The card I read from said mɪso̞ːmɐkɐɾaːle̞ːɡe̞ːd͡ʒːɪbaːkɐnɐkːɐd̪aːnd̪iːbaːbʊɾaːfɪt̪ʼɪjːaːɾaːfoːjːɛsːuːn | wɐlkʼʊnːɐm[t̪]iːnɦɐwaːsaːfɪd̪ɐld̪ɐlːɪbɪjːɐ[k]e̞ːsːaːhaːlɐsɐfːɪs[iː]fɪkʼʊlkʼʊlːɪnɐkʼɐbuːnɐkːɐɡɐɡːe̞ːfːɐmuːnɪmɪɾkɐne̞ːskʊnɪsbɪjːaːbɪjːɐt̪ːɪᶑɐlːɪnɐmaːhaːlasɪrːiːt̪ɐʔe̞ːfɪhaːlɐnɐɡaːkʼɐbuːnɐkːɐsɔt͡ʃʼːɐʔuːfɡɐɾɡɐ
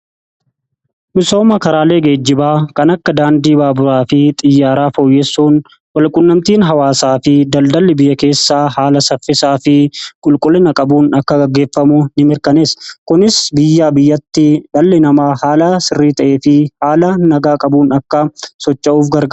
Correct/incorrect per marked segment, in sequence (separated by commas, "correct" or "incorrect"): correct, correct, incorrect